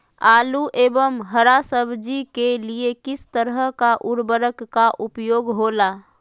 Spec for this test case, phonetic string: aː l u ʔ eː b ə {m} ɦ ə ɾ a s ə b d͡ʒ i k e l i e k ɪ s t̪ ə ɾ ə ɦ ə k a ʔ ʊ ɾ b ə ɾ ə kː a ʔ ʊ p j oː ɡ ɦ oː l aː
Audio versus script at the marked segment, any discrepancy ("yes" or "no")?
no